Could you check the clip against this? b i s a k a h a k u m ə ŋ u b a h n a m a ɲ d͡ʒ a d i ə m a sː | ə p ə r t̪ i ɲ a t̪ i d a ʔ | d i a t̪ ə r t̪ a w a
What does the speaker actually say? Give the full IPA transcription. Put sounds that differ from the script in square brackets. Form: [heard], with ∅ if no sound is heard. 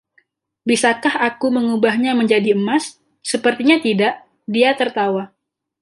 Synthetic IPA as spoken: b i s a k a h a k u m ə ŋ u b a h [ɲ] a m [ə] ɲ d͡ʒ a d i ə m a sː | ə p ə r t̪ i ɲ a t̪ i d a ʔ | d i a t̪ ə r t̪ a w a